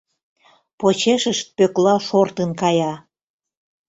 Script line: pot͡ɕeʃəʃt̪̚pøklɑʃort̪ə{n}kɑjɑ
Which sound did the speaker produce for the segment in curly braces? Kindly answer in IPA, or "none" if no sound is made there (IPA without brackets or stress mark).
n